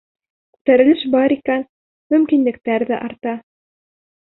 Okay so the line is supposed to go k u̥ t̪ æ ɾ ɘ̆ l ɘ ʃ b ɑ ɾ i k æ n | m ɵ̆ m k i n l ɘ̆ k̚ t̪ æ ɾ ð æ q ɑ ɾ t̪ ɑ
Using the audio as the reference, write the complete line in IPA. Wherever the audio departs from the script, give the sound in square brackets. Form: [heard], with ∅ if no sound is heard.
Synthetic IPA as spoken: k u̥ t̪ æ ɾ ɘ̆ l ɘ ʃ b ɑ ɾ i k æ n | m ɵ̆ m k i n l ɘ̆ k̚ t̪ æ ɾ ð æ [ʔ] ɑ ɾ t̪ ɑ